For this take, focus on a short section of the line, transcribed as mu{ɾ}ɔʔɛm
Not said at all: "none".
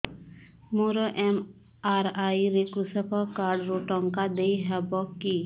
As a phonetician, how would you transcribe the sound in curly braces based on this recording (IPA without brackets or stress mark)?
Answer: ɾ